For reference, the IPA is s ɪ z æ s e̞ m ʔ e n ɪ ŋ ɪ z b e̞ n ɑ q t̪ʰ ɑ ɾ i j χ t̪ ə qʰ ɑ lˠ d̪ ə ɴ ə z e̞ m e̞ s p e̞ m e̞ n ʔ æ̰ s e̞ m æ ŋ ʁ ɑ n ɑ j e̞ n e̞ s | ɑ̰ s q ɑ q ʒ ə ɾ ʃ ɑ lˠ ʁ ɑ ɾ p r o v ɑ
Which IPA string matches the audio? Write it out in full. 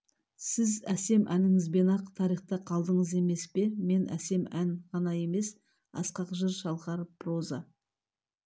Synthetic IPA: s ɪ z æ s e̞ m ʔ æ n ɪ ŋ ɪ z b e̞ n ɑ q t̪ʰ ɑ ɾ i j χ t̪ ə qʰ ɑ lˠ d̪ ə ɴ ə z e̞ m e̞ s p e̞ m e̞ n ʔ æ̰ s e̞ m æ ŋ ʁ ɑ n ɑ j e̞ m e̞ s | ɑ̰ s q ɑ q ʒ ə ɾ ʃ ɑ lˠ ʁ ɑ ɾ p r o z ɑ